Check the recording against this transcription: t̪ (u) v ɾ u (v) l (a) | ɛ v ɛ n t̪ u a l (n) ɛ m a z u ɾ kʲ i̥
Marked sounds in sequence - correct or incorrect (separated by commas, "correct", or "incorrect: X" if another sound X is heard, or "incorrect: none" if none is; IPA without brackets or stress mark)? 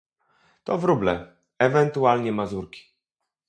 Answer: incorrect: ɔ, incorrect: b, incorrect: ɛ, incorrect: ɲ